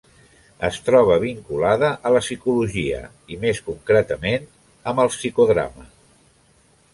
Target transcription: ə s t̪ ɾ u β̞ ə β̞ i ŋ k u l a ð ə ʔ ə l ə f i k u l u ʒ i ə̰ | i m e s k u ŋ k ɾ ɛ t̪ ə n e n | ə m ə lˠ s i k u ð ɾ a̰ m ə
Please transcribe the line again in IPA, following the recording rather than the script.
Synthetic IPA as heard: ə s t̪ ɾ ɔ β̞ ə β̞ i ŋ k u l a ð ə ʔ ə l ə s i k u l u ʒ i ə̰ | i m e s k u ŋ k ɾ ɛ t̪ ə m e n | ə m ə lˠ s i k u ð ɾ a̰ m ə